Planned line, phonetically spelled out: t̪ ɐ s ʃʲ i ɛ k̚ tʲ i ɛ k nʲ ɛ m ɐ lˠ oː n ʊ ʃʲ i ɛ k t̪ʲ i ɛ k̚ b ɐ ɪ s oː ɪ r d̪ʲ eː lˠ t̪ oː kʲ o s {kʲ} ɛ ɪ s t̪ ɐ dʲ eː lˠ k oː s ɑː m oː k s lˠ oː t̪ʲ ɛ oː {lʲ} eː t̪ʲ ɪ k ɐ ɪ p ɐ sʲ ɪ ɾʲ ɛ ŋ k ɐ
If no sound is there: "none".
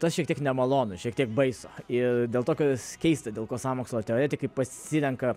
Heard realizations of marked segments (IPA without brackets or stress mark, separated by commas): kʲ, ɾʲ